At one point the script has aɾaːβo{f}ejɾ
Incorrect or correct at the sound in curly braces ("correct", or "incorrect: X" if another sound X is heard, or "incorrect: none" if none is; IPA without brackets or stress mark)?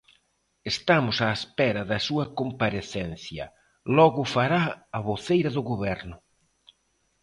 incorrect: θ